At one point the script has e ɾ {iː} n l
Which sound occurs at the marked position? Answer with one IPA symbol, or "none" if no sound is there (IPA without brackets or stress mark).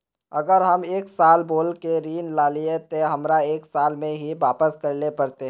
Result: iː